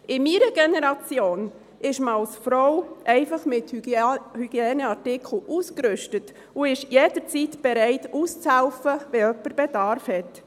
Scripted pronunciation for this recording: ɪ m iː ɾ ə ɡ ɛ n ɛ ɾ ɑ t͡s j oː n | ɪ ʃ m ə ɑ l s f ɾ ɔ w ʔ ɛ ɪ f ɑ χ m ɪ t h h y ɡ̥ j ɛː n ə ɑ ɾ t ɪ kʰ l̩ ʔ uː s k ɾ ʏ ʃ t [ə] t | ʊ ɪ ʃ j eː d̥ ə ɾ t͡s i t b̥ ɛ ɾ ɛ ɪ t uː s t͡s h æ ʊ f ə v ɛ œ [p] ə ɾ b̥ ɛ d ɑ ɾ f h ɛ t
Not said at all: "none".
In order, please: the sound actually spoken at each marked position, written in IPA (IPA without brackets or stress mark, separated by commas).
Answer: ə, p